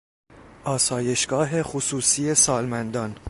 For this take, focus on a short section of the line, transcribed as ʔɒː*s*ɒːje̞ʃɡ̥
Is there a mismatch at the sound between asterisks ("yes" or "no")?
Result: no